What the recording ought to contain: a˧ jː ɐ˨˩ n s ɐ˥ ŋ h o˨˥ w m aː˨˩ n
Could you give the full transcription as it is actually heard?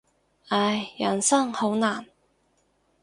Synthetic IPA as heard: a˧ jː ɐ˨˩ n s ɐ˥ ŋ h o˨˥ w n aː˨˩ n